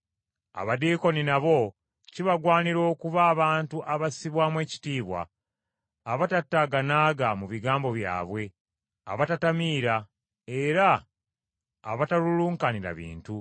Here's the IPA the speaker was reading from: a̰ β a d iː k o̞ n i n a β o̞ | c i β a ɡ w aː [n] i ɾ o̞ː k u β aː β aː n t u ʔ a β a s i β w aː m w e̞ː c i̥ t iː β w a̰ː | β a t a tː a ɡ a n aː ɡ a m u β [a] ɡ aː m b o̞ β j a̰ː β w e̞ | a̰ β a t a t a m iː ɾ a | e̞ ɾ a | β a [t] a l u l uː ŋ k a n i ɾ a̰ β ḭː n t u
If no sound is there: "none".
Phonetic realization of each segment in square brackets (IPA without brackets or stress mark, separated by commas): n, i, t